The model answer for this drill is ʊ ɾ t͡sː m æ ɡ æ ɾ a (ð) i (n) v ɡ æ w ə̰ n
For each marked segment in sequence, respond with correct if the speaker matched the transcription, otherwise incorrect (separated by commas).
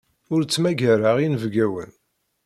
incorrect, correct